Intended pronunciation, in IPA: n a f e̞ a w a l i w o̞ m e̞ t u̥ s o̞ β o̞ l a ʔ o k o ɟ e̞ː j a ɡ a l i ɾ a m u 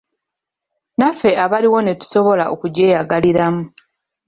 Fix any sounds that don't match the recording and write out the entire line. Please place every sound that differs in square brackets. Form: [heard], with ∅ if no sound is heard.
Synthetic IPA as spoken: n a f e̞ a [β] a l i w o̞ [n] e̞ t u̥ s o̞ β o̞ l a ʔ o k [u] ɟ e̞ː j a ɡ a l i ɾ a m u